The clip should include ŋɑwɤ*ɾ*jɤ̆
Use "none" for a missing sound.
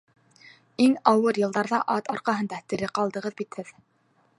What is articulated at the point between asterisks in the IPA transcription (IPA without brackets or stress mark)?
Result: ɾ